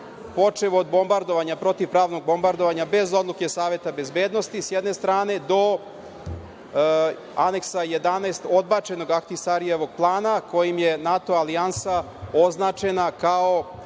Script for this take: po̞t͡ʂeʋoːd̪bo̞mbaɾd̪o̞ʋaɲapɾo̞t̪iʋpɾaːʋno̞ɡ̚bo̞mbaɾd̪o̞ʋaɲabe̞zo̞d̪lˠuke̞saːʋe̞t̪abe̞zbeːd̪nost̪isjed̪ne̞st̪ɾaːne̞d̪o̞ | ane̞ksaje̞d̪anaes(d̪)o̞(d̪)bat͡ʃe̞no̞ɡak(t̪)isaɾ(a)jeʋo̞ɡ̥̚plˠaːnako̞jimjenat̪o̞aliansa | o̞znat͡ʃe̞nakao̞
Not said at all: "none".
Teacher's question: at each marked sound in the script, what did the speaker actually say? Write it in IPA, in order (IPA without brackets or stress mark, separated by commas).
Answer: t̪, d̪, t̪, i